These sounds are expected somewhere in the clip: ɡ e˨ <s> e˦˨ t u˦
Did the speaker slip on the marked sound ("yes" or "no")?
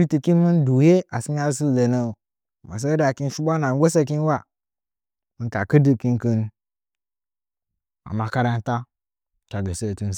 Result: no